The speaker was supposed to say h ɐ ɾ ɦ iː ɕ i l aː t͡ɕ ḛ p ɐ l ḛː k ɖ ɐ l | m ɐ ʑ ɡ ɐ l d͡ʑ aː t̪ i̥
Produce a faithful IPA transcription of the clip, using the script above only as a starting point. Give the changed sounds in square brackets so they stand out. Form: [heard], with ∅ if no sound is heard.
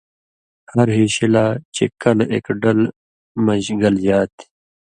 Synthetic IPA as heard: h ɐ ɾ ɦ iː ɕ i l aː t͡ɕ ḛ [k] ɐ l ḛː k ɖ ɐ l | m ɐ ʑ ɡ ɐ l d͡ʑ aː t̪ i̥

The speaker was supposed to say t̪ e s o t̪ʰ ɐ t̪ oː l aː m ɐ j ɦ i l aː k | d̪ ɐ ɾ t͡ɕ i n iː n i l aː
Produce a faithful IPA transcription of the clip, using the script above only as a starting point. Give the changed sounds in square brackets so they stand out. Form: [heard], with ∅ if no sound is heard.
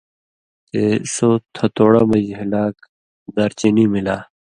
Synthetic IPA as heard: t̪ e s o t̪ʰ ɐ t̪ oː [ɽ] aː m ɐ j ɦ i l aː k | d̪ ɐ ɾ t͡ɕ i n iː [m] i l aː

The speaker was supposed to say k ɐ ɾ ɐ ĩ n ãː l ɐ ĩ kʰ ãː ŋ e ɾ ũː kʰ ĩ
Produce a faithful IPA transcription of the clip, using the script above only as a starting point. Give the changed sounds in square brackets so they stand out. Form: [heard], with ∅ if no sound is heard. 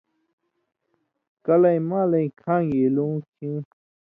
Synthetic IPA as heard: k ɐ [l] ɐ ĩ [m] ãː l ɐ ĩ kʰ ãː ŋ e [l] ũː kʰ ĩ

